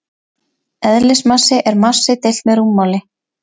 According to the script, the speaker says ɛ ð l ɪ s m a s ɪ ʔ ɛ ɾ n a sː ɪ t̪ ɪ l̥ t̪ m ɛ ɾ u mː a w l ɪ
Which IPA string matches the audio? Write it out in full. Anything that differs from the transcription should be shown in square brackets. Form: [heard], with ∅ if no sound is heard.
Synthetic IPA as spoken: ɛ ð l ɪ s m a s ɪ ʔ ɛ ɾ [m] a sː ɪ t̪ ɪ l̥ t̪ m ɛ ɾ u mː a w l ɪ